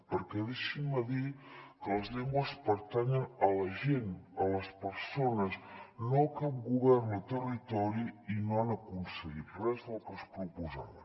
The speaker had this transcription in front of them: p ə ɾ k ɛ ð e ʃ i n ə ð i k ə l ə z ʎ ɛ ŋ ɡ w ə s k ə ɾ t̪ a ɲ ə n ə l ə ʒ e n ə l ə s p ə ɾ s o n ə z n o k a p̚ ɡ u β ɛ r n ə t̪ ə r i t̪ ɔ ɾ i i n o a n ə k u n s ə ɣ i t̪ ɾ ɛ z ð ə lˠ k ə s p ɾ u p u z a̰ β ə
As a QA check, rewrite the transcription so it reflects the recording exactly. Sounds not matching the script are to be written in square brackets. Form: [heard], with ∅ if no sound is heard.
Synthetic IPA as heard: p ə ɾ k ɛ ð e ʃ i [m] ə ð i k ə l ə z ʎ ɛ ŋ ɡ w ə s [p] ə ɾ t̪ a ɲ ə n ə l ə ʒ e n ə l ə s p ə ɾ s o n ə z n o k a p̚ ɡ u β ɛ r n ə t̪ ə r i t̪ ɔ ɾ i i n o a n ə k u n s ə ɣ i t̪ [r] ɛ z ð ə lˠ k ə s p ɾ u p u z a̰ β ə

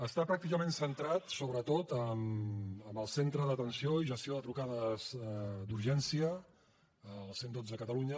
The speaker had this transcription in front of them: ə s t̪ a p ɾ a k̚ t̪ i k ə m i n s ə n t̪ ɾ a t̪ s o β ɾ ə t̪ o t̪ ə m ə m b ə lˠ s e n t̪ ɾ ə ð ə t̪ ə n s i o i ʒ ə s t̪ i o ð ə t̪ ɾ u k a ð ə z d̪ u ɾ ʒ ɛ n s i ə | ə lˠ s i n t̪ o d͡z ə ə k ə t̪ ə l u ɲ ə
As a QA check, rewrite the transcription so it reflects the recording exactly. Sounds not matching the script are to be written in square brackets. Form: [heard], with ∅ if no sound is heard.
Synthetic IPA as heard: ə s t̪ a p ɾ a k̚ t̪ i k ə m [e] n s ə n t̪ ɾ a t̪ s o β ɾ ə t̪ o t̪ ə m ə m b ə lˠ s e n t̪ ɾ ə ð ə t̪ ə n s i o i ʒ ə s t̪ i o ð ə t̪ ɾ u k a ð ə z d̪ u ɾ ʒ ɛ n s i ə | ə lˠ s [e] n [d̪] o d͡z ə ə k ə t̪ ə l u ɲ ə

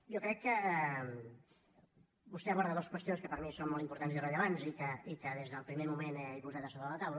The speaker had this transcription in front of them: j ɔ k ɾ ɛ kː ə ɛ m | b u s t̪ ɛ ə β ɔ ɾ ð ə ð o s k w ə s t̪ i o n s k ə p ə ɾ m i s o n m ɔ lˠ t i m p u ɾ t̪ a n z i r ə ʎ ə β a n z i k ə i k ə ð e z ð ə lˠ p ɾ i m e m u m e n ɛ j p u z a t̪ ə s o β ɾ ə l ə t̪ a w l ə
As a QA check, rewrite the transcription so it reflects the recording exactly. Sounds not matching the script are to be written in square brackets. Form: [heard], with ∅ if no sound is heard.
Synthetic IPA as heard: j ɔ k ɾ ɛ kː ə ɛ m | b u s t̪ ɛ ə β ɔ ɾ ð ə ð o s k w ə s t̪ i o n s k ə p ə ɾ m i s o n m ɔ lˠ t i m p u ɾ t̪ a n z i r ə ʎ ə β a n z i k ə i k ə ð e z ð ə lˠ p ɾ i m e m u m e n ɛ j p u z a t̪ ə s o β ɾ ə l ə t̪ a w l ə

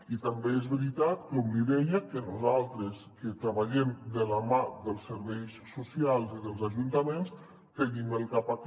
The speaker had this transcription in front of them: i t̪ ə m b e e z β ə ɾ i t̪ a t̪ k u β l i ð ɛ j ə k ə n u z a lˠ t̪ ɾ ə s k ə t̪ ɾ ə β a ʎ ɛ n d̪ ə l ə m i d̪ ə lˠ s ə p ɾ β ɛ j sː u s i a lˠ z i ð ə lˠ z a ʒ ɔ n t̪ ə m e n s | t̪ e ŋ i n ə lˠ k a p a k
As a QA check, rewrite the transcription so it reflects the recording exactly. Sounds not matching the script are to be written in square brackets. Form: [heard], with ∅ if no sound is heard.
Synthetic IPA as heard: i t̪ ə m b e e z β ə ɾ i t̪ a t̪ k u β l i ð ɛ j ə k ə n u z a lˠ t̪ ɾ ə s k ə t̪ ɾ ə β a ʎ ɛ [m] d̪ ə l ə m [a] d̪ ə lˠ s ə [∅] ɾ β ɛ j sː u s i a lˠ z i ð ə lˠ z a ʒ [u] n t̪ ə m e n s | t̪ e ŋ i [m] ə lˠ k a p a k

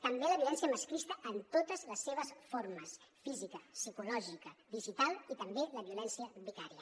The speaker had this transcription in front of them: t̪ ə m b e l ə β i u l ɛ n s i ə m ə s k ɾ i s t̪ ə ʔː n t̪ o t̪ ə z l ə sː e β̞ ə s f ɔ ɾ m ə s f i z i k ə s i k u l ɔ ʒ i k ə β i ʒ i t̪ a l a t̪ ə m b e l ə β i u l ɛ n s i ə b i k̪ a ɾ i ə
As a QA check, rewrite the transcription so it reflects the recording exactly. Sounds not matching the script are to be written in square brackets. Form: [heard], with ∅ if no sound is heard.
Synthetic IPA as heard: t̪ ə m b e l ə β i u l ɛ n s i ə m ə s k ɾ i s t̪ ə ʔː n t̪ o t̪ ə z l ə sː e β̞ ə s f [o] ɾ m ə s f i z i k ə s i k u l ɔ ʒ i k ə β i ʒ i t̪ a l [i] t̪ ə m b e l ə β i u l ɛ n s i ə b i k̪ a ɾ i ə

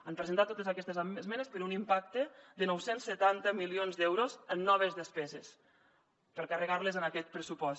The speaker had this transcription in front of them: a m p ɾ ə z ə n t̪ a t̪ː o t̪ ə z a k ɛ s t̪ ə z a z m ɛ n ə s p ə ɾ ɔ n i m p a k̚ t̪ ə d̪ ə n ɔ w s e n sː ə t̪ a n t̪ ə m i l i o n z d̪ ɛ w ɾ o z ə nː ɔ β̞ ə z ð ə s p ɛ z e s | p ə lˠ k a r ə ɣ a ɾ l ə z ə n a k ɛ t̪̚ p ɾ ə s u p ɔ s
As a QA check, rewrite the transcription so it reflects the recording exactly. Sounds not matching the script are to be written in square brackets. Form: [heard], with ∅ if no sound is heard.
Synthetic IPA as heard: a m p ɾ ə z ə n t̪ a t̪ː o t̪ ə z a k ɛ s t̪ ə z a z m ɛ n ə s p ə ɾ [u] n i m p a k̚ t̪ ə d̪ ə n ɔ w s e n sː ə t̪ a n t̪ ə m i l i o n z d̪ ɛ w ɾ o z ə nː ɔ β̞ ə z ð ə s p ɛ z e s | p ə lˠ k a r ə ɣ a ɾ l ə z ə n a k ɛ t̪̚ p ɾ ə s u p ɔ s

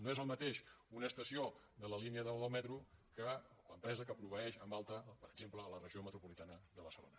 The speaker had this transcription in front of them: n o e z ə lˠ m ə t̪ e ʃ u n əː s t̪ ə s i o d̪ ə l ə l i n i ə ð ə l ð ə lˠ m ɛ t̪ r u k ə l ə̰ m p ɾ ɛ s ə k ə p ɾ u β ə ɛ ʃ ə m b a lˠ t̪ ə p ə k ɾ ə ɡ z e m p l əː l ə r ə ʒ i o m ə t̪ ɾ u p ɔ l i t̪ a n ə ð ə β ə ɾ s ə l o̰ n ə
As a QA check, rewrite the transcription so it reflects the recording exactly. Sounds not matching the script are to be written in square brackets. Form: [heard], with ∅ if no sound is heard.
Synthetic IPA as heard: n o e z ə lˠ m ə t̪ e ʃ u n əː s t̪ ə s i o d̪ ə l ə l i n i ə ð ə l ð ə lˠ m ɛ t̪ [ɾ] u k ə l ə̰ m p ɾ ɛ [z] ə k ə p ɾ u β ə ɛ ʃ ə m b a lˠ t̪ ə p ə [∅] ɾ ə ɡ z e m p l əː l ə r ə ʒ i o m ə t̪ ɾ u p [u] l i t̪ a n ə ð ə β ə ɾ s ə l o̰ n ə

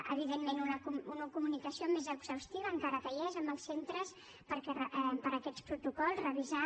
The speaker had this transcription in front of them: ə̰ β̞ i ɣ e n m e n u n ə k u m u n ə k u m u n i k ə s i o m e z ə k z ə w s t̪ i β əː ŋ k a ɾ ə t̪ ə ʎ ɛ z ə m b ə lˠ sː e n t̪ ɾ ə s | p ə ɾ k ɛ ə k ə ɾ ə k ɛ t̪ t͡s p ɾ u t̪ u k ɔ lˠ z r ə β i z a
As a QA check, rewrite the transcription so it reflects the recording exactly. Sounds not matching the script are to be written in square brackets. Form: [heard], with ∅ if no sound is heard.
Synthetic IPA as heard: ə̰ β̞ i [ð] e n m e n u n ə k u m u n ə k u m u n i k ə s i o m e z ə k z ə w s t̪ i β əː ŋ k a ɾ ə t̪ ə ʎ ɛ z ə m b ə lˠ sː e n t̪ ɾ ə s | p ə ɾ k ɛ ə [p] ə ɾ ə k ɛ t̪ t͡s p ɾ u t̪ u k ɔ lˠ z r ə β i z a

